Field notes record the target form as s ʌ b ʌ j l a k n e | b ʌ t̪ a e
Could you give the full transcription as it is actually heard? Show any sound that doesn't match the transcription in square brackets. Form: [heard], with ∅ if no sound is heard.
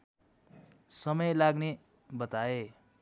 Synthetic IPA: s ʌ [m] ʌ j l a [ɡ] n e | b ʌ t̪ a e